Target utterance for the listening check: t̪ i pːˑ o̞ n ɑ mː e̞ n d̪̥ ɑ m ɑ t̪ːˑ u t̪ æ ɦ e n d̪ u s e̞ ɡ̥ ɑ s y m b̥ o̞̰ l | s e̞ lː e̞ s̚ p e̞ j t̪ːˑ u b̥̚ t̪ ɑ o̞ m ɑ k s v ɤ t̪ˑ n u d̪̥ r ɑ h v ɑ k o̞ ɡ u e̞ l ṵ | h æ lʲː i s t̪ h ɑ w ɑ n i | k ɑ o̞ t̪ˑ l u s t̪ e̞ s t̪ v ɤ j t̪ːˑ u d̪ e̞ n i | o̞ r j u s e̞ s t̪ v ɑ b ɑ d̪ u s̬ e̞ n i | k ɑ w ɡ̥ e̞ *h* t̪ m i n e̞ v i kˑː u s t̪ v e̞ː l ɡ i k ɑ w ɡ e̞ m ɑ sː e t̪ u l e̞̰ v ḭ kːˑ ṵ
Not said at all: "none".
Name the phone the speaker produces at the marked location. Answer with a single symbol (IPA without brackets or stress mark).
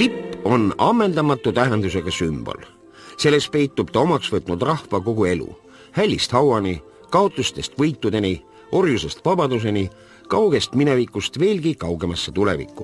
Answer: s